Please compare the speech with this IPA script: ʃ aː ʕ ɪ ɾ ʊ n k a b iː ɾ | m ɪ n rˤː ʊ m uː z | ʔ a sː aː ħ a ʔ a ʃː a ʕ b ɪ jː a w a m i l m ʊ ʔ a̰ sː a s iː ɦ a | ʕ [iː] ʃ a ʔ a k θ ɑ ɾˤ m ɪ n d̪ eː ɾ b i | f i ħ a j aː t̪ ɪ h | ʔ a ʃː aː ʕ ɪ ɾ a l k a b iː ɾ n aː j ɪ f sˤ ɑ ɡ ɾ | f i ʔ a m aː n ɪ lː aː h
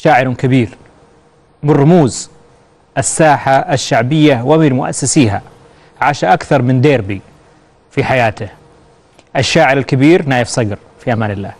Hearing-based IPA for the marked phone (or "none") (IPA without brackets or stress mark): aː